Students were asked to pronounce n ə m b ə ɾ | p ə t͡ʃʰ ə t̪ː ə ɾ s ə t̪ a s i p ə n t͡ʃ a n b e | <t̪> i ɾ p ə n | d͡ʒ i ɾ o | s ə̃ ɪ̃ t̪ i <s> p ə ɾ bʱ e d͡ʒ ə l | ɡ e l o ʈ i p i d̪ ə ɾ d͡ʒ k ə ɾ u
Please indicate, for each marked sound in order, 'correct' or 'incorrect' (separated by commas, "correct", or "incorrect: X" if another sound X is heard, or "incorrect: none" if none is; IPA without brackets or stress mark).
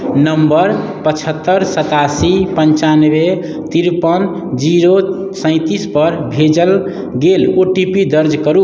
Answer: correct, correct